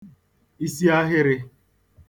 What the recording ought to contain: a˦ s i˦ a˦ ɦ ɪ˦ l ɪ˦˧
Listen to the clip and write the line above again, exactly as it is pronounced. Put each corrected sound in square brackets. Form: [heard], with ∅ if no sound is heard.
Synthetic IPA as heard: [i˦] s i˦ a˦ ɦ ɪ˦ [ɾ] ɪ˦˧